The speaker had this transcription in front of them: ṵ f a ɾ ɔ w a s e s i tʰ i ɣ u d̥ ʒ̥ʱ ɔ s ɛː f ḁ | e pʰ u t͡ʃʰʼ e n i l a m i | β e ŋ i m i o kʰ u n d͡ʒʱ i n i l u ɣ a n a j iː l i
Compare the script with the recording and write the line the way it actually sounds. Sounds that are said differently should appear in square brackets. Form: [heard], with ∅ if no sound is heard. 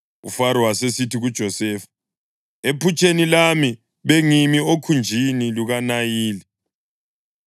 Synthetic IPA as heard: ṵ f a ɾ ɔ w a s e s i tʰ i ɣ u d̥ ʒ̥ʱ ɔ s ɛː f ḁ | e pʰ u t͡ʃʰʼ e n i l a m i | β e ŋ i m i o kʰ u n d͡ʒʱ i n i l u ɣ a n a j iː l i